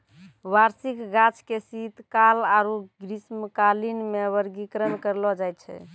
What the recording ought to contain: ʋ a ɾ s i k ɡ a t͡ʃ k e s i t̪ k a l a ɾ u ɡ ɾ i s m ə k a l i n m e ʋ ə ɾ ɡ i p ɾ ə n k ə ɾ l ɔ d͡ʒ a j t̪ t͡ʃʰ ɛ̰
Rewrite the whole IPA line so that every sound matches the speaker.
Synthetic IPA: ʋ a ɾ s i k ɡ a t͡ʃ k e s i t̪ k a l a ɾ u ɡ ɾ i s m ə k a l i n m e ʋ ə ɾ ɡ i k ɾ ə n k ə ɾ l ɔ d͡ʒ a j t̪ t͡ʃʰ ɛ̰